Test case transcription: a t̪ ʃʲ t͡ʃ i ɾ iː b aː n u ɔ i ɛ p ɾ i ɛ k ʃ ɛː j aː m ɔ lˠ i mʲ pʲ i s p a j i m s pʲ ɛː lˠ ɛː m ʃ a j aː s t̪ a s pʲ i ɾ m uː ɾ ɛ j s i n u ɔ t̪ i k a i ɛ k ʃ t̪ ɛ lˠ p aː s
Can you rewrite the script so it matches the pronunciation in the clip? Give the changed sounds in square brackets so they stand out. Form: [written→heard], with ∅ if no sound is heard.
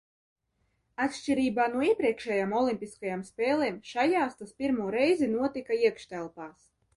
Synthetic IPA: a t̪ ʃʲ t͡ʃ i ɾ iː b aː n u ɔ i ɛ p ɾ i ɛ k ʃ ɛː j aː m ɔ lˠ i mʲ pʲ i s [p→k] a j [i→a] m s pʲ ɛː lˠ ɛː m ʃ a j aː s t̪ a s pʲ i ɾ m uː ɾ ɛ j [s→z] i n u ɔ t̪ i k a i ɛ k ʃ t̪ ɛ lˠ p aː s